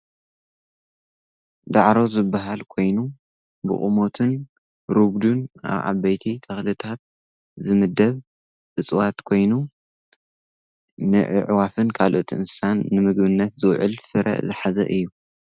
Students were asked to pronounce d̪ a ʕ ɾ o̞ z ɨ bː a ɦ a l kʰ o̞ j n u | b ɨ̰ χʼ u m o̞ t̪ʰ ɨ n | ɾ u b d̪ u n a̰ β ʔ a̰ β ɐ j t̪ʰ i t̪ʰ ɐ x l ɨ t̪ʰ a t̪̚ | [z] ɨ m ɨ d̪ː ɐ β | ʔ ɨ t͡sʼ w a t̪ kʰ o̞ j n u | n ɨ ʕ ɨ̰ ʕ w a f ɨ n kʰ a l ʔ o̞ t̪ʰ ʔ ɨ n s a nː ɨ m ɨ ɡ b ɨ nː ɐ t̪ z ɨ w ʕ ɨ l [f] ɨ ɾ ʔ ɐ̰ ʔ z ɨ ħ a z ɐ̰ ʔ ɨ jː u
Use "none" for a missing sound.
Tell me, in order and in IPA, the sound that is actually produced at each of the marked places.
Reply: z, f

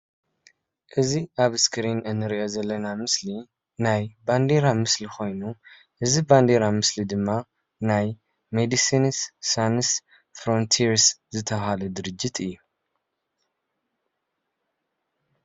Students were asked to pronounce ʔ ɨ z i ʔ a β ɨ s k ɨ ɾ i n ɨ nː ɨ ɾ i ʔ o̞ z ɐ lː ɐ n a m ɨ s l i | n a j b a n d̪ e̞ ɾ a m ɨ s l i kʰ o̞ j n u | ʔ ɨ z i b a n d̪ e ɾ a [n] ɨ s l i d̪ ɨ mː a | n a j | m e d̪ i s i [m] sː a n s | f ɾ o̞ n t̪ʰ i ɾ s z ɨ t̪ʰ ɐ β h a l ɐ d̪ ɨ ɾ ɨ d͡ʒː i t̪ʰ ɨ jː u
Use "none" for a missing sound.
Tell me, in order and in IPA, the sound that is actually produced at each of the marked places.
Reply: m, n

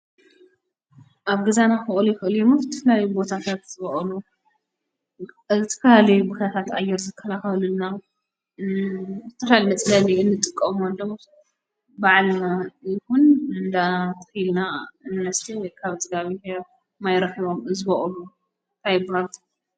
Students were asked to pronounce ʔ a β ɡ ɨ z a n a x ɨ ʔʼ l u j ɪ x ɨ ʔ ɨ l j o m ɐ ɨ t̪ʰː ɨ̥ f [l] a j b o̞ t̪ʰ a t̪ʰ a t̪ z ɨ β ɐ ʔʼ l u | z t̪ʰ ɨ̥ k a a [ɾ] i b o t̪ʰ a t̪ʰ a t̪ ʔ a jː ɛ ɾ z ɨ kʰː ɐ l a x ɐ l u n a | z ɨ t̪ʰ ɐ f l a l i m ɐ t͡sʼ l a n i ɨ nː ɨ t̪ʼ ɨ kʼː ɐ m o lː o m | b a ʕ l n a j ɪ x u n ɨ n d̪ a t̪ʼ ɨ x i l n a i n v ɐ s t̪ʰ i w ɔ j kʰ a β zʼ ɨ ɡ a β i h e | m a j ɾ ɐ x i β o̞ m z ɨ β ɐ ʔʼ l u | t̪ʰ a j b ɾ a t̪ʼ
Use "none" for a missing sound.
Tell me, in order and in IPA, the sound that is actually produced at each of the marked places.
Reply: l, l

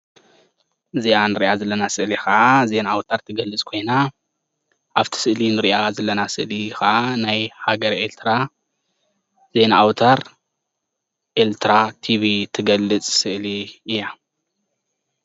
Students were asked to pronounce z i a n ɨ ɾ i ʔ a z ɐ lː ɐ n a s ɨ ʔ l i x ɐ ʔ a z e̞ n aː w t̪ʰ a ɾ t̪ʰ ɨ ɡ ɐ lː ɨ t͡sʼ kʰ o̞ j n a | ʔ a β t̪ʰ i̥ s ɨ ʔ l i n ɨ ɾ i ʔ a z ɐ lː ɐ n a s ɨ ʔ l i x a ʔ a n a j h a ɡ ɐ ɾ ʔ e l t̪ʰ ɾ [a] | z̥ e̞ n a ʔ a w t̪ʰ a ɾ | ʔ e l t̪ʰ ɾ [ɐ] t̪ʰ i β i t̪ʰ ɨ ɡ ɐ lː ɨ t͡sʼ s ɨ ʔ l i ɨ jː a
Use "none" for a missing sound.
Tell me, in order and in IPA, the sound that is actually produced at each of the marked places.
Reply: a, a

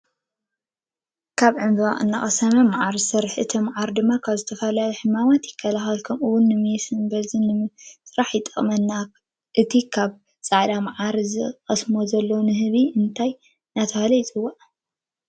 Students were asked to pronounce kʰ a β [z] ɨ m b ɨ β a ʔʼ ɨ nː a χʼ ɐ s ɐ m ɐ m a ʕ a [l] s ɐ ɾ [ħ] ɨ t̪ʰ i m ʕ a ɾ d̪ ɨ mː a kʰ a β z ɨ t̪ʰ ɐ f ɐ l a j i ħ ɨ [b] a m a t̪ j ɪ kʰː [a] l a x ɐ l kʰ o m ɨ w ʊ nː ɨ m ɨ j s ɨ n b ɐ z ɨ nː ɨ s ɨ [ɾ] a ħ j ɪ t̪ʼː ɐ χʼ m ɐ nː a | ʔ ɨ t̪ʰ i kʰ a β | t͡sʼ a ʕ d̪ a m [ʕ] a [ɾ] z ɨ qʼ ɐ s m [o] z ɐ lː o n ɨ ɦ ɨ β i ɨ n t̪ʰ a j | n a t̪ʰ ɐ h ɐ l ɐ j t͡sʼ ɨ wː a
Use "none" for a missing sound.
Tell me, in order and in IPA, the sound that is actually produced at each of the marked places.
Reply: ʕ, ɾ, ħ, m, ɐ, ɾ, ʕ, ɾ, o

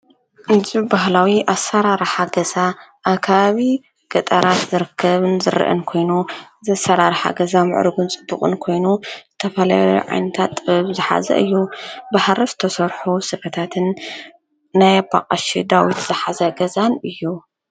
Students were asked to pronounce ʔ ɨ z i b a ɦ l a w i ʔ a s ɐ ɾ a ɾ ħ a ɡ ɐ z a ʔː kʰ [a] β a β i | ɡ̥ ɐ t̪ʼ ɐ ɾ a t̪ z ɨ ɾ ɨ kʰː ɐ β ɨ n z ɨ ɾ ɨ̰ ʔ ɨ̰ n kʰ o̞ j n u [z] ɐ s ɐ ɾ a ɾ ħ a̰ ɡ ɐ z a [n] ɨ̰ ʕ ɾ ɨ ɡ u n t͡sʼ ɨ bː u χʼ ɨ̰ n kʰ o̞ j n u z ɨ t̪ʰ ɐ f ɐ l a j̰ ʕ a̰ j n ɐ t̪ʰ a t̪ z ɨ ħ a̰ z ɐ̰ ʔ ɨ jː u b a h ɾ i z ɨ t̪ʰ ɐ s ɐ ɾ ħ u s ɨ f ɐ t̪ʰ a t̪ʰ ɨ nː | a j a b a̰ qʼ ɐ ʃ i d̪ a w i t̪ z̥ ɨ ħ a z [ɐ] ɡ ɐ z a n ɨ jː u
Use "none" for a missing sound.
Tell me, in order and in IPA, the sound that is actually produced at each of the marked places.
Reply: a, z, m, ɐ

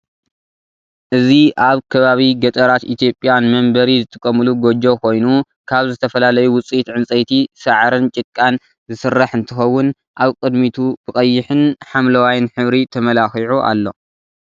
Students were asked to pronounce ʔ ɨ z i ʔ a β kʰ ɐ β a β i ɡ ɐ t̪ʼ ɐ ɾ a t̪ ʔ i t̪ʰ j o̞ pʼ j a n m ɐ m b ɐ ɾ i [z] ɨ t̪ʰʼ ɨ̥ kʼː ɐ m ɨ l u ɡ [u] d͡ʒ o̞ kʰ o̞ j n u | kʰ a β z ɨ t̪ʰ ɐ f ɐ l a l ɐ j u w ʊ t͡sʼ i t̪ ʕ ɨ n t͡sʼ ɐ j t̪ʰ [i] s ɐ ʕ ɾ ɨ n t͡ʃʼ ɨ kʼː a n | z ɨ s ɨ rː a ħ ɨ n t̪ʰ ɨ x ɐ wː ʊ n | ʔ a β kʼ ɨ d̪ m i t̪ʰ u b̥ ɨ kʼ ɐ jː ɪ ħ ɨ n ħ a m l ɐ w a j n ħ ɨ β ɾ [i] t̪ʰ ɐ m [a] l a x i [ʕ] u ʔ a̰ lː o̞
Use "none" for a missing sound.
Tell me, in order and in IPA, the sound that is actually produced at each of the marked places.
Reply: z, o, i, i, ɐ, ʕ

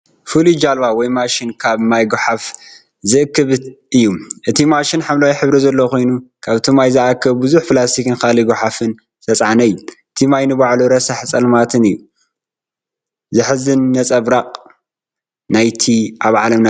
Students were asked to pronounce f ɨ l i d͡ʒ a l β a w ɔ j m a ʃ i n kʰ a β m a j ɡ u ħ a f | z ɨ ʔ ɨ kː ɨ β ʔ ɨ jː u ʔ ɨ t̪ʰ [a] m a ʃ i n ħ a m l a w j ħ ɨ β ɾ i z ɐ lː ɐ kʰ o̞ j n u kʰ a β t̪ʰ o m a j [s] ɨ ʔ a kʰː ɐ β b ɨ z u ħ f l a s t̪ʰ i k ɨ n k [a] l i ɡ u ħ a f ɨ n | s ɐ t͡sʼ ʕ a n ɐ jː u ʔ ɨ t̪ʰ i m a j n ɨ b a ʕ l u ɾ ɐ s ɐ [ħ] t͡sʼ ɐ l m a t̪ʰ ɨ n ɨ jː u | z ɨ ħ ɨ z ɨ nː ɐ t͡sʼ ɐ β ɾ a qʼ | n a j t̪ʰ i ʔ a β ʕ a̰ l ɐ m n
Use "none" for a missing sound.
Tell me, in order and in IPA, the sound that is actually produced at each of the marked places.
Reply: i, z, a, ħ

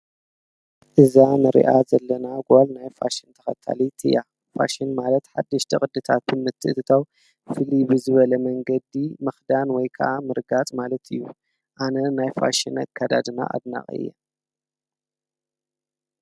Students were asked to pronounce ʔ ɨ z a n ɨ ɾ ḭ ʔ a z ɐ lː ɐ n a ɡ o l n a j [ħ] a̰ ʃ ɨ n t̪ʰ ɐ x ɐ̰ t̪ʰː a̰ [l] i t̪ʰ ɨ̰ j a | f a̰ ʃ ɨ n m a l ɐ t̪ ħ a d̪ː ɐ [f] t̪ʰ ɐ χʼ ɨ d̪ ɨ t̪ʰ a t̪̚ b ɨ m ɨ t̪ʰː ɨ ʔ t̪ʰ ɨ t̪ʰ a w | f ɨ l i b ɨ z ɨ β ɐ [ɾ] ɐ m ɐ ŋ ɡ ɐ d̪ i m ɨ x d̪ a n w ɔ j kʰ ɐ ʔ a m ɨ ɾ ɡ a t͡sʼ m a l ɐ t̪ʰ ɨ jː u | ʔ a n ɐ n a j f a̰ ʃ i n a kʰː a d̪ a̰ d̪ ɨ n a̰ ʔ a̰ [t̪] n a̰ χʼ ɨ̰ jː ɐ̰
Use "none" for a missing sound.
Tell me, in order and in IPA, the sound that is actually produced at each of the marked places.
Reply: f, l, ʃ, l, d̪

